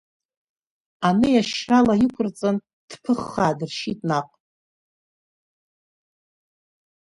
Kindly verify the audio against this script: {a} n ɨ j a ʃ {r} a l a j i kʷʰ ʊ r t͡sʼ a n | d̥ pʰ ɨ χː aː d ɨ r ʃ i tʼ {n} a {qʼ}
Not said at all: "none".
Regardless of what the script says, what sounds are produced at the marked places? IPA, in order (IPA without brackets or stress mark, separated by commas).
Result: a, r, n, qʼ